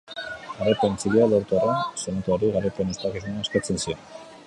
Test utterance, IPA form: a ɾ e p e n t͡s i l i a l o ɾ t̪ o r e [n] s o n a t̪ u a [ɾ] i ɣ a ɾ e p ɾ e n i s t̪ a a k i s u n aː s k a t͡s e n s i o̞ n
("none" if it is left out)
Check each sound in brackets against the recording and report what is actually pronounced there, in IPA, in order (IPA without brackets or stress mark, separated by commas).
n, ɾ